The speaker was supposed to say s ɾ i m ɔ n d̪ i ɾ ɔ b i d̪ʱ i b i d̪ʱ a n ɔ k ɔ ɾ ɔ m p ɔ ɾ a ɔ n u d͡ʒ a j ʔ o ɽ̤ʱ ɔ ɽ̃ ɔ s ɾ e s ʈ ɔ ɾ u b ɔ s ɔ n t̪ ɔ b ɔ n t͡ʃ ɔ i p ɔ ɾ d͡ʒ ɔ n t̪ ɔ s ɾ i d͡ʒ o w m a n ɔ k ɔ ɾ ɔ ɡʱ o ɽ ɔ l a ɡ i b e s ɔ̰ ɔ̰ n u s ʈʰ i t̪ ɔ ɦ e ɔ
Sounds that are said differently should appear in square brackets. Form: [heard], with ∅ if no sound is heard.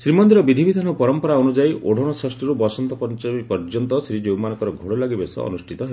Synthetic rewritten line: s ɾ i m ɔ n d̪ i ɾ ɔ b i d̪ʱ i b i d̪ʱ a n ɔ [p] ɔ ɾ ɔ m p ɔ ɾ a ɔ n u d͡ʒ a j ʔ o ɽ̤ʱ ɔ ɽ̃ ɔ s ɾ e s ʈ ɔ ɾ u b ɔ s ɔ n t̪ ɔ [p] ɔ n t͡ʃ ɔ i p ɔ ɾ d͡ʒ ɔ n t̪ ɔ s ɾ i d͡ʒ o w m a n ɔ k ɔ ɾ ɔ ɡʱ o ɽ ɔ l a ɡ i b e s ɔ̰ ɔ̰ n u s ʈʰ i t̪ ɔ ɦ e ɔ